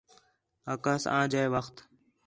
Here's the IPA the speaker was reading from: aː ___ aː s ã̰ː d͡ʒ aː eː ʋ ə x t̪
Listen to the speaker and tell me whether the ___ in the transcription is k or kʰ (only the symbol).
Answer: k